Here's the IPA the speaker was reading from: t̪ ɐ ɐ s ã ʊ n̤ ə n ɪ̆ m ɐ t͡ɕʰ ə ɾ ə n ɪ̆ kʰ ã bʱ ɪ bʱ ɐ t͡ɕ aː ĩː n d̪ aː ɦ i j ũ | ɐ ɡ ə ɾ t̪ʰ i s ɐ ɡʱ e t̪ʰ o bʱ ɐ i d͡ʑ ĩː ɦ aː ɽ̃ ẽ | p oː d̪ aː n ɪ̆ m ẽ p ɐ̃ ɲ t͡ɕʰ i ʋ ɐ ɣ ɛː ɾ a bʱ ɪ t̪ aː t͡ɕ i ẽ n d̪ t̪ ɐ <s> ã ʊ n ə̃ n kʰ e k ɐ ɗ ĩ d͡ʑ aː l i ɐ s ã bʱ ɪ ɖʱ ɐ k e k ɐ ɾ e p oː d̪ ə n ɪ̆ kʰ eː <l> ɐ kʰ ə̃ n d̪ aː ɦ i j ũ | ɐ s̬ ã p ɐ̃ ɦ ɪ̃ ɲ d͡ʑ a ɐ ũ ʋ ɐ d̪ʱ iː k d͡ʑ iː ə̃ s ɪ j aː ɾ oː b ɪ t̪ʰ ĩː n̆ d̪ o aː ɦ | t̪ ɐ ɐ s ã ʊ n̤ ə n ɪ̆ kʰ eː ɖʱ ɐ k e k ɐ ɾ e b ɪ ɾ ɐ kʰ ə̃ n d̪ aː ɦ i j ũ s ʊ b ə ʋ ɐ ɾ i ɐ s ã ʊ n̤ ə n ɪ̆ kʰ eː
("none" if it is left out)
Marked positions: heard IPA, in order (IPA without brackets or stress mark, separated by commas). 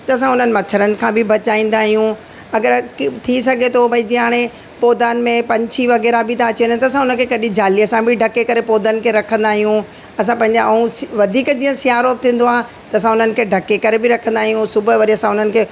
s, ɾ